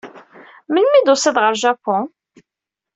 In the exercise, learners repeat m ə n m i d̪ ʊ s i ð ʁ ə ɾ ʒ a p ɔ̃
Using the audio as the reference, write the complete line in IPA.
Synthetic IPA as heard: m ə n m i d̪ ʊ s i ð ʁ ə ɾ ʒ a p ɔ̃